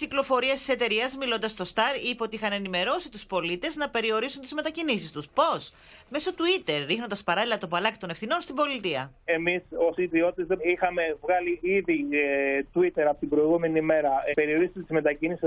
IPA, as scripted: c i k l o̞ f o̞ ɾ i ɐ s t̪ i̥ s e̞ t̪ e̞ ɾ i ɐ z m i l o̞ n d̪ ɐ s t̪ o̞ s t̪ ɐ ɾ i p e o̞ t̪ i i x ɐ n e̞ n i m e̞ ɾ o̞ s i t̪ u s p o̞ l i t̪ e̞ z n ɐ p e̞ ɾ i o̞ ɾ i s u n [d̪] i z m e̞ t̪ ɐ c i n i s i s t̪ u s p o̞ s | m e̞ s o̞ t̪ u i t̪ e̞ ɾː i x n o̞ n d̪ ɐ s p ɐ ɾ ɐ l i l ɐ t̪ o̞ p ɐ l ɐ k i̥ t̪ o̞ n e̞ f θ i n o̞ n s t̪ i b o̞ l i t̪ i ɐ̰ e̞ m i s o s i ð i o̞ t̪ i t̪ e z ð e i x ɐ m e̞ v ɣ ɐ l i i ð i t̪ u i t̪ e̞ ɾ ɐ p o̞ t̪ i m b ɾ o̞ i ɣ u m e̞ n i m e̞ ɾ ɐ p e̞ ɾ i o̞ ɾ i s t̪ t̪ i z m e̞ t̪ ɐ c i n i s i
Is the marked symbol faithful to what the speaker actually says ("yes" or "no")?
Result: no